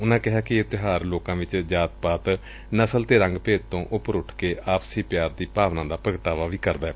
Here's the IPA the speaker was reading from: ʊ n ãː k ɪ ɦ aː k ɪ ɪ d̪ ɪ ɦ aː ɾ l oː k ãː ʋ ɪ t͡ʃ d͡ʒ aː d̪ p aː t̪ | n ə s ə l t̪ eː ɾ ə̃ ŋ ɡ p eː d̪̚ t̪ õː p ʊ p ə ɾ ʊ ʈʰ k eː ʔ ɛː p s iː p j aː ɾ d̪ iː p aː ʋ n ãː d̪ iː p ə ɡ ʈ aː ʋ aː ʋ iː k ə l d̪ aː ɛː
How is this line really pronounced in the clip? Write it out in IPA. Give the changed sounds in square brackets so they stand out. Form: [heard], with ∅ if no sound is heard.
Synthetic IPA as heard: ʊ n ãː k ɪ ɦ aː k ɪ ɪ [t̪] ɪ ɦ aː ɾ l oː k ãː ʋ ɪ t͡ʃ d͡ʒ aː [t̪] p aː t̪ | n ə s ə l t̪ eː ɾ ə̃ ŋ ɡ p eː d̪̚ t̪ õː [ʔ] ʊ p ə ɾ ʊ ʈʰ k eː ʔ [aː] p s iː p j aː ɾ d̪ iː p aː ʋ n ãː d̪ [aː] p ə ɡ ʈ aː ʋ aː ʋ iː k ə [ɾ] d̪ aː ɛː